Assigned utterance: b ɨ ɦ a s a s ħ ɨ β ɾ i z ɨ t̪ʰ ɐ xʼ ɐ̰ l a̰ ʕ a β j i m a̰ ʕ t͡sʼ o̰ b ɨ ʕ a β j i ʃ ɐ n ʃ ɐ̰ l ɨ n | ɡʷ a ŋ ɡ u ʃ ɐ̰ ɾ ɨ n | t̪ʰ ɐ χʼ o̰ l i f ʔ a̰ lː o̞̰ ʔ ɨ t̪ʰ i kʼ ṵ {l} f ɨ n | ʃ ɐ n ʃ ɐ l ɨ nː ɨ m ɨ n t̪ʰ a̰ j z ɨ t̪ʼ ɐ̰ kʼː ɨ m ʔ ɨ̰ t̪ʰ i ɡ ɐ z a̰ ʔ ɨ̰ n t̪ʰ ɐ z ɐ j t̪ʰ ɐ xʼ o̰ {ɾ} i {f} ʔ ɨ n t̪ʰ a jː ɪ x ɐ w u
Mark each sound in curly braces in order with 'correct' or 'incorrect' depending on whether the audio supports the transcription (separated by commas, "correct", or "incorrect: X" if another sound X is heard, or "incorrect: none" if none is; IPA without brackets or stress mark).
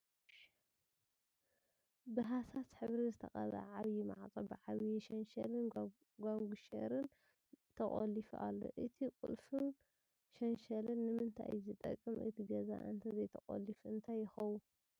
correct, incorrect: l, correct